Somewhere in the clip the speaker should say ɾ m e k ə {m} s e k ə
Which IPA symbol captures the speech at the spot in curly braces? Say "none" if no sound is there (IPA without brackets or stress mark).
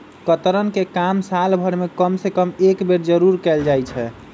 m